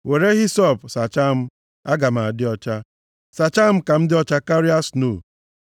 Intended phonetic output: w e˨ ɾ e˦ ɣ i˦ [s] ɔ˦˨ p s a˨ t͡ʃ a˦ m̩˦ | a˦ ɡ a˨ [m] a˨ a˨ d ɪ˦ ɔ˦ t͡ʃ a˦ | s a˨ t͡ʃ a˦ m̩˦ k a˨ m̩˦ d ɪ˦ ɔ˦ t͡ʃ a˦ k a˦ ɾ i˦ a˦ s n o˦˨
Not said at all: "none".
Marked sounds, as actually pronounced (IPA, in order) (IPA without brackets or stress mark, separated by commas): s, m